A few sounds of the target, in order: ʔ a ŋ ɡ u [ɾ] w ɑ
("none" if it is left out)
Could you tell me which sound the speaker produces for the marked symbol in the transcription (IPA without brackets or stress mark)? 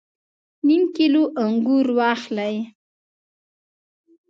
ɾ